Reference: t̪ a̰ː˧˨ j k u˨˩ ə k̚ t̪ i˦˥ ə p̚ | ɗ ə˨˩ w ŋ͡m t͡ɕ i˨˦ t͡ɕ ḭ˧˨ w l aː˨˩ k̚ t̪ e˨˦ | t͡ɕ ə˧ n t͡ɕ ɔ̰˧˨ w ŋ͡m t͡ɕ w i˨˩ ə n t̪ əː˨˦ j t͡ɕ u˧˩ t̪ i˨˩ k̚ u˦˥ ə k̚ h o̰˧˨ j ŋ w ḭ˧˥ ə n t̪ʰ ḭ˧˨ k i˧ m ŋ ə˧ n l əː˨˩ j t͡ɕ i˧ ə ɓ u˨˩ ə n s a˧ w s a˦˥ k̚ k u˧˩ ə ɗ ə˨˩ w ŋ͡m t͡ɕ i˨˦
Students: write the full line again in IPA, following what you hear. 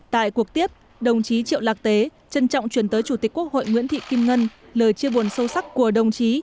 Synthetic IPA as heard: t̪ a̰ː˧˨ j k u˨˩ ə k̚ t̪ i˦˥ ə p̚ | ɗ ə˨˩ w ŋ͡m t͡ɕ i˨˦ t͡ɕ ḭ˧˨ w l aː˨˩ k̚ t̪ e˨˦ | t͡ɕ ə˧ n t͡ɕ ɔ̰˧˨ w ŋ͡m t͡ɕ w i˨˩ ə n t̪ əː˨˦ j t͡ɕ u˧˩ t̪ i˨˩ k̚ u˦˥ ə k̚ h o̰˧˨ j ŋ w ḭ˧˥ ə n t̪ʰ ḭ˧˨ k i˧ m ŋ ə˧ n l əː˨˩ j t͡ɕ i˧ ə ɓ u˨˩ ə n s ə˧ w s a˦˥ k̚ k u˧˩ ə ɗ ə˨˩ w ŋ͡m t͡ɕ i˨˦